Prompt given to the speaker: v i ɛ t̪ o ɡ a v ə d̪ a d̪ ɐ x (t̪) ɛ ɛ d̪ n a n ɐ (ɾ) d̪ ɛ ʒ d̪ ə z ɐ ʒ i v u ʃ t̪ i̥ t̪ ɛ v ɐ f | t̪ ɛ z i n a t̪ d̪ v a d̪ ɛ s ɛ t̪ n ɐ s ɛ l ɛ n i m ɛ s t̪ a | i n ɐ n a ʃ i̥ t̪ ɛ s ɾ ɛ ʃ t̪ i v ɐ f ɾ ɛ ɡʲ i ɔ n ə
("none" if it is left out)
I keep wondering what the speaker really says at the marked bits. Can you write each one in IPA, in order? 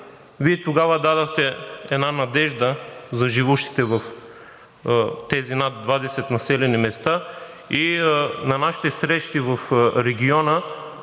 t̪, none

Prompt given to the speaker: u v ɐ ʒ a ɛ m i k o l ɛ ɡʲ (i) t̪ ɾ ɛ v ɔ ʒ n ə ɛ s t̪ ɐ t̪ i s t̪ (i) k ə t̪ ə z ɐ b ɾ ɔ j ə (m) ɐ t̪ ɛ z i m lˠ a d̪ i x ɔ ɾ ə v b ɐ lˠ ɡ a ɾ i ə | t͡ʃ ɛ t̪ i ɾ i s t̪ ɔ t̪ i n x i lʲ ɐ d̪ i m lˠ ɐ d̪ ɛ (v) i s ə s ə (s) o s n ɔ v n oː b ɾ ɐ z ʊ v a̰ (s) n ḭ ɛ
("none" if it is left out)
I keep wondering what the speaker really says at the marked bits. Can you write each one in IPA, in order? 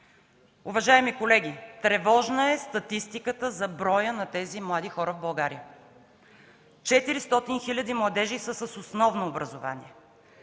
i, i, n, ʒ, s, none

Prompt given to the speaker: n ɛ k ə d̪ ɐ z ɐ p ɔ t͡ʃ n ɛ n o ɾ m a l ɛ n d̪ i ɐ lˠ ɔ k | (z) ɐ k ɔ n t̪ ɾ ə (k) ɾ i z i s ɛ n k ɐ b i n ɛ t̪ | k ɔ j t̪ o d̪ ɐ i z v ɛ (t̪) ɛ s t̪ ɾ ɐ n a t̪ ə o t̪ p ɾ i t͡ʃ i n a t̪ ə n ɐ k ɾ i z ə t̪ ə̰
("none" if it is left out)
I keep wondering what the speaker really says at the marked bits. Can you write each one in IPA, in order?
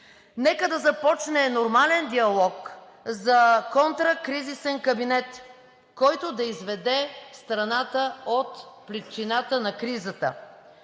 z, k, d̪

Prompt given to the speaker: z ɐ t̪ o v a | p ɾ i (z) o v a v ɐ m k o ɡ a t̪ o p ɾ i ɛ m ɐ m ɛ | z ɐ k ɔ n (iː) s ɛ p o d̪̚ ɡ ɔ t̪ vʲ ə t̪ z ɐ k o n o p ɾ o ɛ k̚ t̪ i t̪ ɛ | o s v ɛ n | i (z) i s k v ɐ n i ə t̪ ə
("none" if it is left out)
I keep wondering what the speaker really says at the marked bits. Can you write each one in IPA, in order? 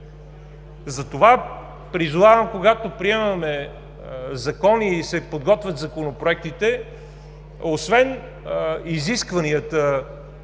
z, iː, z

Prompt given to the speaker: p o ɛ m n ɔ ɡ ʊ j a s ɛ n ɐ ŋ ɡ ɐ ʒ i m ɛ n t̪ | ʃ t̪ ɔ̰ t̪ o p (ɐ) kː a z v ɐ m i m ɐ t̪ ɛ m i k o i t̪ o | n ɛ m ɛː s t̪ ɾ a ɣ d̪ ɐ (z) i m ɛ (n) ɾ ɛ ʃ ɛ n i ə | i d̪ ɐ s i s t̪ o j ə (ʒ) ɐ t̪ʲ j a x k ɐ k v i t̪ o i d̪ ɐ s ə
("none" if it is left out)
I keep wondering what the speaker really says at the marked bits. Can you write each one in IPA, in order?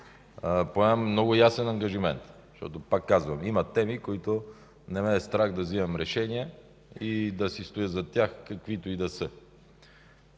a, z, m, z

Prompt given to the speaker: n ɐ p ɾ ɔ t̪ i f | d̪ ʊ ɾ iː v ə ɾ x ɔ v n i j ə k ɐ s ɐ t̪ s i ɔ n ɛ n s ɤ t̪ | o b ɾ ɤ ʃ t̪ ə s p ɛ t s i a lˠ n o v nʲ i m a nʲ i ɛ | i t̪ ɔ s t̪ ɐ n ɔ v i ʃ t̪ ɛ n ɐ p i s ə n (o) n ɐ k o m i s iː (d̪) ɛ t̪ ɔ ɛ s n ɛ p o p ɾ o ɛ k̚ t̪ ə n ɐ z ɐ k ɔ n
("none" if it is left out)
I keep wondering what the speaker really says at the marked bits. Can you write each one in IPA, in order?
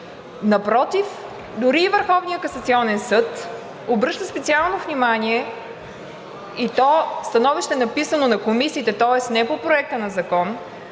o, t̪

